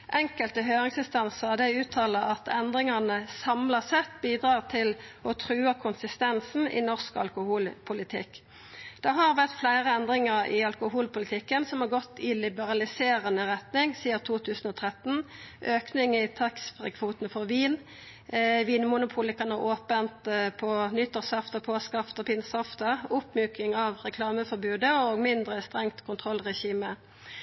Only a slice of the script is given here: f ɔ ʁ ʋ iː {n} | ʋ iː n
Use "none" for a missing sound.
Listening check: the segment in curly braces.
n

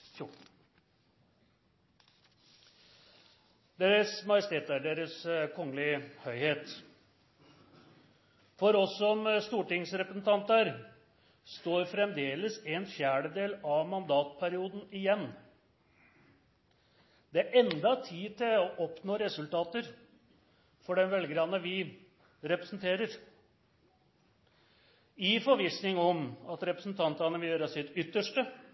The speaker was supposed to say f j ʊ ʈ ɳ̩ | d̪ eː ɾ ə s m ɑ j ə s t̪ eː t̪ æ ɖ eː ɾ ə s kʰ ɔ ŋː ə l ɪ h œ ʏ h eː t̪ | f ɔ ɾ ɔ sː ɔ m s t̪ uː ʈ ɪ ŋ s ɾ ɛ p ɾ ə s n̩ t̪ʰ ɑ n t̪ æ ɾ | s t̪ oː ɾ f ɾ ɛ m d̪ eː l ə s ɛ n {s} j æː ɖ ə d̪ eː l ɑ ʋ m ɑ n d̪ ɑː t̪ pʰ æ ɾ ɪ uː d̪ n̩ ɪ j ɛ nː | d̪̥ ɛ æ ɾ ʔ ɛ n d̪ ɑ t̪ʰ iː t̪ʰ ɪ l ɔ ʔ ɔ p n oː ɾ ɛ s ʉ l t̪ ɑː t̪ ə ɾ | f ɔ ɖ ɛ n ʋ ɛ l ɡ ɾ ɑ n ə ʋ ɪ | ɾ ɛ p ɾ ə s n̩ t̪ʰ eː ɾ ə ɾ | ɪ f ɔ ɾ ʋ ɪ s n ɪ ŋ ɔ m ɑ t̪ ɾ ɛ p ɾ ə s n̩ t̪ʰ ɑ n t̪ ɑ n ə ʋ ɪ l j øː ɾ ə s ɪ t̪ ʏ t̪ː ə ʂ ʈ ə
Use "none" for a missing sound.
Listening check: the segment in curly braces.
f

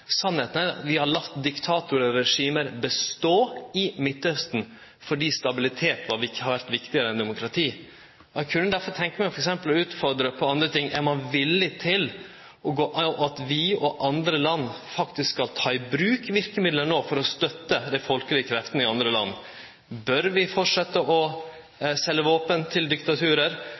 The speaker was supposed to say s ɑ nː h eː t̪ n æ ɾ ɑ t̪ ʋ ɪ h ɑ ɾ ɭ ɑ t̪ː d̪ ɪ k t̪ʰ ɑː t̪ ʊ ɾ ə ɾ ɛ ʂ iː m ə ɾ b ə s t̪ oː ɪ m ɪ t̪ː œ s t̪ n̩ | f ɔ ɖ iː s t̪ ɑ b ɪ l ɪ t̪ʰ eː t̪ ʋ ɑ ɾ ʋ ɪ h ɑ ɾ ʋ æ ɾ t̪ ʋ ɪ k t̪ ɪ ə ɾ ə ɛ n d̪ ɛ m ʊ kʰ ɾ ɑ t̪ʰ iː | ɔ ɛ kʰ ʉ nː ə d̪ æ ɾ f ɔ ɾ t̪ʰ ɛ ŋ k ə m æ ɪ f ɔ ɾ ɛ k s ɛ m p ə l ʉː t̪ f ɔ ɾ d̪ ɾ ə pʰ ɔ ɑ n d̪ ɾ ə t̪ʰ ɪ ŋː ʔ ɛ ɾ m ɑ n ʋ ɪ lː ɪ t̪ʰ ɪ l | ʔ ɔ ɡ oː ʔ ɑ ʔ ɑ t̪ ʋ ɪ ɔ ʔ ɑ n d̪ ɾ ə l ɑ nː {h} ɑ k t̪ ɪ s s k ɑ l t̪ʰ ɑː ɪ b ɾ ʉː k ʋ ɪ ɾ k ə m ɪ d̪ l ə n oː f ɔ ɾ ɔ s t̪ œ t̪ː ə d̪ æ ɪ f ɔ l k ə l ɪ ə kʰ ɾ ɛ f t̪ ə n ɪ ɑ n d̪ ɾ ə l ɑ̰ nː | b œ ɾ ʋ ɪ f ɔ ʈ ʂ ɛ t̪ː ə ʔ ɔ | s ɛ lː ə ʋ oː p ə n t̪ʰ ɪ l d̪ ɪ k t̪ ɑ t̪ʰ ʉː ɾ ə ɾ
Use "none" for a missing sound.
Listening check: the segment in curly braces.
f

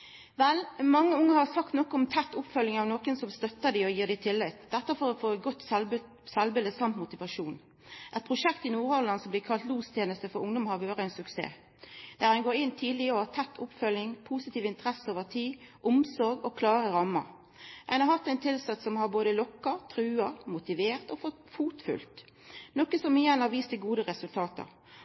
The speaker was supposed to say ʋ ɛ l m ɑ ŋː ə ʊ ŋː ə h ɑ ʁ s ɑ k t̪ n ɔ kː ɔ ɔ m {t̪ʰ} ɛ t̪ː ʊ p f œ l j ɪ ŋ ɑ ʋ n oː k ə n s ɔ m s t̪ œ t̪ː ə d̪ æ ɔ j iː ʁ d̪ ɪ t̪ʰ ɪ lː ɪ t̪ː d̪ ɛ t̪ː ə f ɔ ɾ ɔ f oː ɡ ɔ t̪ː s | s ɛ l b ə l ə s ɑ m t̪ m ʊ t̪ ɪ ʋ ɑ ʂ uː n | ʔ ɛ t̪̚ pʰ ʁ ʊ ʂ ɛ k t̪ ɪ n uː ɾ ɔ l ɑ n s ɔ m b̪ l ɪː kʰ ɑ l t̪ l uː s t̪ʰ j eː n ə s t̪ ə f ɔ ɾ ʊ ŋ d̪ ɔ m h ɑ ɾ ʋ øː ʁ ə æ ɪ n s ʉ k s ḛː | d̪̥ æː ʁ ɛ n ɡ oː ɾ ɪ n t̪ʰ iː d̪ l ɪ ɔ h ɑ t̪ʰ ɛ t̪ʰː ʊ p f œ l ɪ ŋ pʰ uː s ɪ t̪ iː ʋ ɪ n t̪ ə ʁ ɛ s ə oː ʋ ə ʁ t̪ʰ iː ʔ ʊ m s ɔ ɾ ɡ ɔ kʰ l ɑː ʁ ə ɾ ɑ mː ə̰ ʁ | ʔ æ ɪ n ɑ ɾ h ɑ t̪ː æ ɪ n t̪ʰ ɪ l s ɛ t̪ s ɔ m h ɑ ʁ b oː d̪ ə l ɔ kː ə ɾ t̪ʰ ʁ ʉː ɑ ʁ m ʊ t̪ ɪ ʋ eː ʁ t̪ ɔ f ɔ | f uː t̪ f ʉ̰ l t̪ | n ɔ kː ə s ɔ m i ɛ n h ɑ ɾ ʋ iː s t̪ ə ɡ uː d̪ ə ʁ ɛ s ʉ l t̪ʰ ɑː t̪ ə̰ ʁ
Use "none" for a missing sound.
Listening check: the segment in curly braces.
t̪ʰ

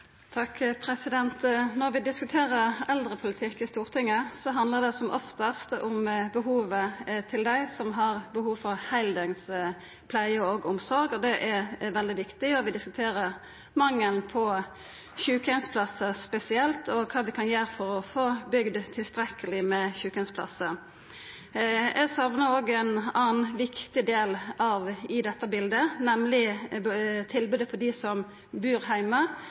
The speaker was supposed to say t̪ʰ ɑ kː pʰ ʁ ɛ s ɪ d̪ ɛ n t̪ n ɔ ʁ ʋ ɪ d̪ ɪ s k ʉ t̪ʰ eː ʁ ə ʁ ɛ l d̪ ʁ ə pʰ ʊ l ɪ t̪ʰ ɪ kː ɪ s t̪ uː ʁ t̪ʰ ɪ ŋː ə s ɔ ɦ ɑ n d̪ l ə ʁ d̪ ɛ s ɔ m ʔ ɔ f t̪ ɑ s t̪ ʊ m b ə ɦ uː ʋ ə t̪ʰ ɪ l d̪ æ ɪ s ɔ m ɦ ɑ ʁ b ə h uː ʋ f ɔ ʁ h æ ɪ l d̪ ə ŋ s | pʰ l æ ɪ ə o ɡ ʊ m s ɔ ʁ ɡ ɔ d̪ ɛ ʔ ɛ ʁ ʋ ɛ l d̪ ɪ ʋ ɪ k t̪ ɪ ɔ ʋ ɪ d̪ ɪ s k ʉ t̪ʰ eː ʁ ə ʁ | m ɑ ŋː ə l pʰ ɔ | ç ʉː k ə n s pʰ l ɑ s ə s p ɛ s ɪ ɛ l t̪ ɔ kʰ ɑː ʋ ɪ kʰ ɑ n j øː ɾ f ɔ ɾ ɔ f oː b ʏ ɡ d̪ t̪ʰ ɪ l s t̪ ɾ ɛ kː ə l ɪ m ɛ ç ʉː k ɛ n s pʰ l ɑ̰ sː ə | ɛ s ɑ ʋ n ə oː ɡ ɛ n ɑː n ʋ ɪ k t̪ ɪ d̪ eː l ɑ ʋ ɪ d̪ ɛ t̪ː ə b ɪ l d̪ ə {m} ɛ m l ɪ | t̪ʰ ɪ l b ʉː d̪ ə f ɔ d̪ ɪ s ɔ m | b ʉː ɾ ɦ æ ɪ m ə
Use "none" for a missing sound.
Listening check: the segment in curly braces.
n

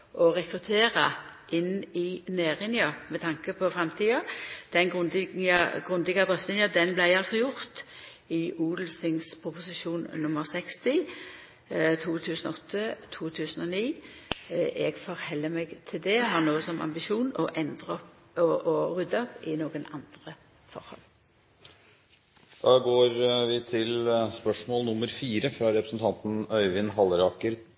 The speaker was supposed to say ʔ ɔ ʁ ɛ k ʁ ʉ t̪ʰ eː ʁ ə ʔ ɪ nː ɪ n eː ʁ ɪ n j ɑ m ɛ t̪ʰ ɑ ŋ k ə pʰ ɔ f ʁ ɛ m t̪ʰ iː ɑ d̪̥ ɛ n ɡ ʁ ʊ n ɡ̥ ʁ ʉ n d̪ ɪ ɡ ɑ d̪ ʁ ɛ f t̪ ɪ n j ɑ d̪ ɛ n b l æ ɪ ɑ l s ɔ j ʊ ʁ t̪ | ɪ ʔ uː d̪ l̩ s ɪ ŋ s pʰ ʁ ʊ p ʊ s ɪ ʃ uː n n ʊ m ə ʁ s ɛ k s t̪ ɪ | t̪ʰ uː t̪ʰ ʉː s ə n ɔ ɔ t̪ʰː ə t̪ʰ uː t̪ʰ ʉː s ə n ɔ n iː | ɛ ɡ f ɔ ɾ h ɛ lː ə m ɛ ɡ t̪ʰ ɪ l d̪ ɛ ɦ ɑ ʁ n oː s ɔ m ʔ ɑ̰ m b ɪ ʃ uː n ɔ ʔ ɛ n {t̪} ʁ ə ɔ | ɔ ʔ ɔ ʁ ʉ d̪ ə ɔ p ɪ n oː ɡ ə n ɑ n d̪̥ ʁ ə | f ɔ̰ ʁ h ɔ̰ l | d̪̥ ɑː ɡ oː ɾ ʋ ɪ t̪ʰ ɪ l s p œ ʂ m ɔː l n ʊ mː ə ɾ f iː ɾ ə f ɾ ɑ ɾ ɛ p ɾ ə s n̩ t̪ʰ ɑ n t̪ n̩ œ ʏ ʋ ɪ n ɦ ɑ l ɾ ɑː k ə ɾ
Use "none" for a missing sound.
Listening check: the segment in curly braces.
d̪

